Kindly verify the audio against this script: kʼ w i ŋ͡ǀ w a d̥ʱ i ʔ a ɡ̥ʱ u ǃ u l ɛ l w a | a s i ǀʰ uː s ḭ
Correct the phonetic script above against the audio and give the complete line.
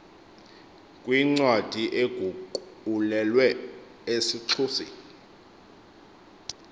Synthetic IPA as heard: kʼ w i ŋ͡ǀ w a d̥ʱ i ʔ e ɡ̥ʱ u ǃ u l ɛ l w ɛ | e s i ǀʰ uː s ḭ

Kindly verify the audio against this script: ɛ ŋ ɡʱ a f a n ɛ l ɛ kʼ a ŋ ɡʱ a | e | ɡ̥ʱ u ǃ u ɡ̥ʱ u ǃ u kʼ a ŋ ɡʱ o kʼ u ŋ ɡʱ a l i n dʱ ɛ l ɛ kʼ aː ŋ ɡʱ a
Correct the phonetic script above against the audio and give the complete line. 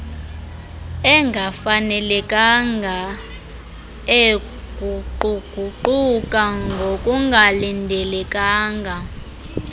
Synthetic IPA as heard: ɛ ŋ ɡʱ a f a n ɛ l ɛ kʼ a ŋ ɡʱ a | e | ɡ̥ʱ u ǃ u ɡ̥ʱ u ǃ u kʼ a ŋ ɡʱ o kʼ u ŋ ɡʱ a l i n dʱ ɛ l ɛ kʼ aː ŋ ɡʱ a

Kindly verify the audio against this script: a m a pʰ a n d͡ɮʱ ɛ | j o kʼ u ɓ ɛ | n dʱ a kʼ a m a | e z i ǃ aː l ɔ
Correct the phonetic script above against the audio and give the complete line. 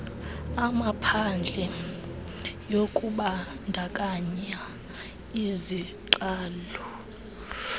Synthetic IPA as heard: a m a pʰ a n d͡ɮʱ ɛ | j o kʼ u ɓ a | n dʱ a kʼ a ɲ a | i z i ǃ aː l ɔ

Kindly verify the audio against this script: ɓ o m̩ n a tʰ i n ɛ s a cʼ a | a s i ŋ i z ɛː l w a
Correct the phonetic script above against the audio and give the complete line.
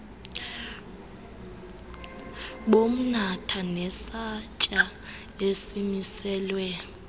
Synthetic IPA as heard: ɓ o m̩ n a tʰ a n ɛ s a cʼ a | e s i m i s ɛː l w ɛ

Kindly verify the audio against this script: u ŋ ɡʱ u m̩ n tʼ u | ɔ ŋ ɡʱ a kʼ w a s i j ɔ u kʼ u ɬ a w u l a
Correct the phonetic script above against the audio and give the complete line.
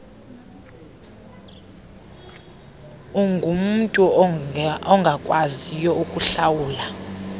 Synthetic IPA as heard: u ŋ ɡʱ u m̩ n tʼ u | ɔ ŋ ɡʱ a kʼ w a z i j ɔ u kʼ u ɬ a w uː l a

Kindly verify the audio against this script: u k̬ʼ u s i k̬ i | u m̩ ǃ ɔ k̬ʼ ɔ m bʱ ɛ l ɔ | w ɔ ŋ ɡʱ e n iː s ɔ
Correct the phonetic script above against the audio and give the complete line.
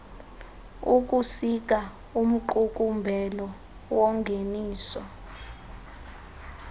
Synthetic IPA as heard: u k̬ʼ u s i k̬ a | u m̩ ǃ u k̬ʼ u m bʱ ɛ l ɔ | w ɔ ŋ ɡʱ e n iː s ɔ

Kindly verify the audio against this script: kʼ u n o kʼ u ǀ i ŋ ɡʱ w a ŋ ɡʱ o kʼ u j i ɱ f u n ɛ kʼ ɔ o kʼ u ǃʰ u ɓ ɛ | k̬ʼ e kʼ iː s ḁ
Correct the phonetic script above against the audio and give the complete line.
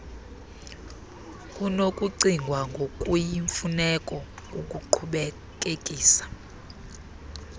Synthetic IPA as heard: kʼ u n o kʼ u ǀ i ŋ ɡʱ w a ŋ ɡʱ o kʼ u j i ɱ f u n ɛ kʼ ɔ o kʼ u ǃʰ u ɓ ɛ | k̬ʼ e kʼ iː s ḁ

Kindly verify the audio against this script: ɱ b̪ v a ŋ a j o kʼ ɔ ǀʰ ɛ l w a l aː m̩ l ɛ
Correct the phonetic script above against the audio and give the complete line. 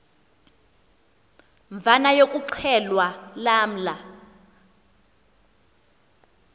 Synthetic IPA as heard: ɱ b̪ v a n a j o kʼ u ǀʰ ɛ l w a l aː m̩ l a

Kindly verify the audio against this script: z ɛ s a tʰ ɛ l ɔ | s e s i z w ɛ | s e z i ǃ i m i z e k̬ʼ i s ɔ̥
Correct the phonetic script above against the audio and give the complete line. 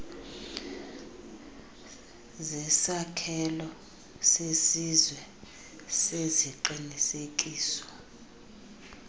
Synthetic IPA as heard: z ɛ s a kʰ ɛ l ɔ | s e s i z w ɛ | s e z i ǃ i n i s e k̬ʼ iː s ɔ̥

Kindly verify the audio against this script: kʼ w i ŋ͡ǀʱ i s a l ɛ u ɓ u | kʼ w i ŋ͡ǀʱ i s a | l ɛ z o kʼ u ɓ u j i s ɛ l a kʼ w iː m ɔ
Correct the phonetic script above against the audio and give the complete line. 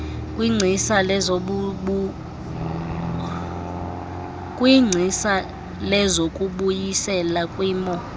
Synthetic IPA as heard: kʼ w i ŋ͡ǀʱ i s a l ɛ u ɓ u | kʼ w i ŋ͡ǀʱ i s a | l ɛ z o kʼ u ɓ u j i s ɛ l a kʼ w iː m ɔ

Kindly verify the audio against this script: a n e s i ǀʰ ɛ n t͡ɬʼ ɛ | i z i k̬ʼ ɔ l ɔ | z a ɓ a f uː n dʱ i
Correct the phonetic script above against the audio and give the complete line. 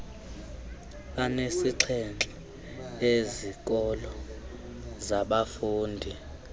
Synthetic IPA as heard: a n e s i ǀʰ ɛ n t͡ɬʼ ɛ | e z i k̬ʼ ɔ l ɔ | z a ɓ a f uː n dʱ i

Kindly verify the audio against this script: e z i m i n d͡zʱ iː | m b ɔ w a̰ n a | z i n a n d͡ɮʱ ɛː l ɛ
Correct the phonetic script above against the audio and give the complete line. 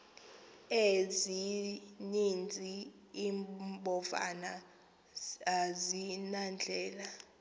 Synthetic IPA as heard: e z i n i n d͡zʱ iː | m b ɔ v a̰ n a | z i n a n d͡ɮʱ ɛː l a

